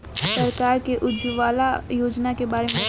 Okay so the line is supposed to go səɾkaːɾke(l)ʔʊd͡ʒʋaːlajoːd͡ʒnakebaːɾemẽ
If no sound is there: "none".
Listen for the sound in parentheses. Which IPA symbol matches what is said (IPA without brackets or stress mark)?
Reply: none